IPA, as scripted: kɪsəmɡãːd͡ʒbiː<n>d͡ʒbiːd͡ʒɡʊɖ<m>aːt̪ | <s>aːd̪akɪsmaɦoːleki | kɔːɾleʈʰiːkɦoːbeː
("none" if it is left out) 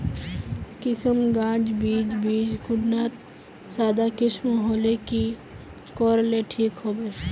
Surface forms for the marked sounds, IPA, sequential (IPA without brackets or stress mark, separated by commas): none, n, s